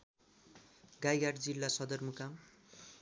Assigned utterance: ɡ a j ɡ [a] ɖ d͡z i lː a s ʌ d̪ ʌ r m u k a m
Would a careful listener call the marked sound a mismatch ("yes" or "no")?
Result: no